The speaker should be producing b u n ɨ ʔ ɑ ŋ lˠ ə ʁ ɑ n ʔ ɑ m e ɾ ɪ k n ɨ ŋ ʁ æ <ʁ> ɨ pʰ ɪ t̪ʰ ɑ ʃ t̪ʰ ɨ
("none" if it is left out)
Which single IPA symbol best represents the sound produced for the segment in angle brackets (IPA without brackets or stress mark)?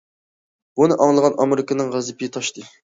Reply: z